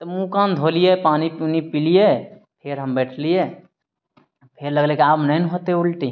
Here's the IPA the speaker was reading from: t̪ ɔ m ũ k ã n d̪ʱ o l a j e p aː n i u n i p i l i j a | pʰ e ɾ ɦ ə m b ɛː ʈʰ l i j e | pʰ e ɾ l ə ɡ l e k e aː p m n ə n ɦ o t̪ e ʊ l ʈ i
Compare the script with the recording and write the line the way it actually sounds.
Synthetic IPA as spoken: t̪ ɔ m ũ k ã n d̪ʱ o l i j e p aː n i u n i p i l i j e | pʰ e ɾ ɦ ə m b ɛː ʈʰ l i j e | pʰ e ɾ l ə ɡ l e k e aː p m n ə n ɦ o t̪ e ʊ l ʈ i

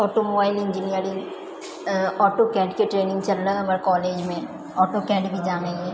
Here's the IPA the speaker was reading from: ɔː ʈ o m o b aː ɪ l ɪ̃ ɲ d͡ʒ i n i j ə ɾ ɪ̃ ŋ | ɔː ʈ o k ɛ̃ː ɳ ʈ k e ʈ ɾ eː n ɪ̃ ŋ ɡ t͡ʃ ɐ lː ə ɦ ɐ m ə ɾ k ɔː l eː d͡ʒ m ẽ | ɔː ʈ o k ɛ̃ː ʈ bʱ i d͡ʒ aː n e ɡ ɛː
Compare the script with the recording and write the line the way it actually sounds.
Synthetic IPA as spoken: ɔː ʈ o m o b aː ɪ l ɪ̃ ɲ d͡ʒ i n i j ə ɾ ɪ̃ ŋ | ɔː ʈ o k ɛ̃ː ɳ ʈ k e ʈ ɾ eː n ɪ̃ ŋ ɡ t͡ʃ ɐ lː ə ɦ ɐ m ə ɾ k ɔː l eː d͡ʒ m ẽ | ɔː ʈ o k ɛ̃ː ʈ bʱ i d͡ʒ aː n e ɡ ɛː

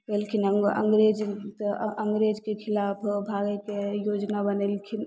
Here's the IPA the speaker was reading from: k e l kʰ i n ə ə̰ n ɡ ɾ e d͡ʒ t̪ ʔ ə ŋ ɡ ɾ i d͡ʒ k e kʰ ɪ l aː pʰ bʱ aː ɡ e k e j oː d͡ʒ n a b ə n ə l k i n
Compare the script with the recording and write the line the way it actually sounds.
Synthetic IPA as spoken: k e l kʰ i n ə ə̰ ŋ ɡ ɾ e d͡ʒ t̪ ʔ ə ŋ ɡ ɾ e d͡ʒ k e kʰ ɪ l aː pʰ bʱ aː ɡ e k e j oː d͡ʒ n a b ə n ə l kʰ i n

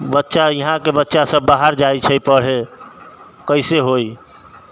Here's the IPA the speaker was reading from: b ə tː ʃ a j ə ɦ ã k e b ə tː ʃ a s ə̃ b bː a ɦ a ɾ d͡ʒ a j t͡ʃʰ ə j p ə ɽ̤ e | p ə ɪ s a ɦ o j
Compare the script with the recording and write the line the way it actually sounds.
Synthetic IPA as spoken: b ə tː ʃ a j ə ɦ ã k e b ə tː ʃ a s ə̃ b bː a ɦ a ɾ d͡ʒ a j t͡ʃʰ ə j p ə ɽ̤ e | k ə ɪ s e ɦ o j

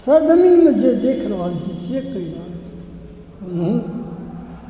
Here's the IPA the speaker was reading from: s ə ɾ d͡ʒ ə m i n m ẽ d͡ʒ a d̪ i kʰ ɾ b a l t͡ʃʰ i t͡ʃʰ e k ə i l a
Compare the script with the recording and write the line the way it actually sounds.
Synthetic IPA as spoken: s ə ɾ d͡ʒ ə m i n m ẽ d͡ʒ e d̪ e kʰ ɾ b a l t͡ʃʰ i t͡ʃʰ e k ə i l a

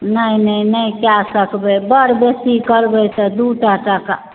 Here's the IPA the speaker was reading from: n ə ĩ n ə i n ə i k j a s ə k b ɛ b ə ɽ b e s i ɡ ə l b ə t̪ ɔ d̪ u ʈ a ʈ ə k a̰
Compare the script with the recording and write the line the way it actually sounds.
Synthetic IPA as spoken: n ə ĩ n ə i n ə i k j a s ə k b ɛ b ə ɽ b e s i k ə ɾ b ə t̪ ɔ d̪ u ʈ a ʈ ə k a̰

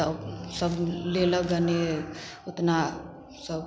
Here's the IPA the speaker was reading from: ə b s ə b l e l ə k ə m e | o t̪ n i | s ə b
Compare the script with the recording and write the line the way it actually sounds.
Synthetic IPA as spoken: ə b s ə b l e l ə ɡ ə n e | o t̪ n a | s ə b

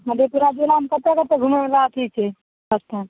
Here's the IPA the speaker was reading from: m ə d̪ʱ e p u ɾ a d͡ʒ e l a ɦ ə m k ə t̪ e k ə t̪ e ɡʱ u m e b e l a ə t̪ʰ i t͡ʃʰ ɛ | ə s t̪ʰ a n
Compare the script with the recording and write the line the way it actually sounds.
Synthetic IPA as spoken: m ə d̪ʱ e p u ɾ a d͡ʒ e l a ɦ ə m k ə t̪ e k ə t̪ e ɡʱ u m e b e l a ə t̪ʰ i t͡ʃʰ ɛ | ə s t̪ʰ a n

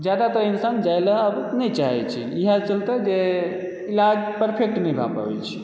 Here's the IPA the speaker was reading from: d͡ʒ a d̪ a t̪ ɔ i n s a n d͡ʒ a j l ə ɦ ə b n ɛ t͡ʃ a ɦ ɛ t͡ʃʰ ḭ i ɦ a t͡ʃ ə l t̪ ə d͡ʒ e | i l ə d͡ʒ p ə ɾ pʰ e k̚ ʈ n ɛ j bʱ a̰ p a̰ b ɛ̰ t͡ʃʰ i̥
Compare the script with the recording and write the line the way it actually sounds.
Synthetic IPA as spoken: d͡ʒ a d̪ a t̪ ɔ i n s a n d͡ʒ a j l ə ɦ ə b n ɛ t͡ʃ a ɦ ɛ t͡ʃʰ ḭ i ɦ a t͡ʃ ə l t̪ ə d͡ʒ e | i l a d͡ʒ p ə ɾ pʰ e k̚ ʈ n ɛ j bʱ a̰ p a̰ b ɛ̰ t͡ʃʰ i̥

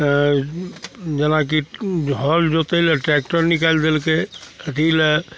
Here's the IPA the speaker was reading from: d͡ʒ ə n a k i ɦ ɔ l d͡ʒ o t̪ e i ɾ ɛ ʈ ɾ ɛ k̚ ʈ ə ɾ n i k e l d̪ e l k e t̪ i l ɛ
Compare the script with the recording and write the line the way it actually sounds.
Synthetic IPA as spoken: d͡ʒ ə n a k i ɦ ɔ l d͡ʒ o t̪ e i l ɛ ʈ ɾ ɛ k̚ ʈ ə ɾ n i k a l d̪ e l k e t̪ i l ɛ

